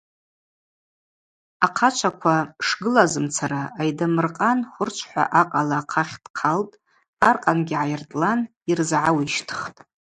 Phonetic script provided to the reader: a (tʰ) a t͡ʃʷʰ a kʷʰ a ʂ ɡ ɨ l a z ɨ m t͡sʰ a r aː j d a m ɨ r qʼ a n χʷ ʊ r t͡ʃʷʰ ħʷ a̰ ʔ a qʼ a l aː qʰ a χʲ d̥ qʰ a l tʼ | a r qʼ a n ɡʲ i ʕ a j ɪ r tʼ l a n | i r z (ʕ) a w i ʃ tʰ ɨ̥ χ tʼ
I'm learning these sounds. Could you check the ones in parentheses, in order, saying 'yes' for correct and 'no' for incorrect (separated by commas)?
no, yes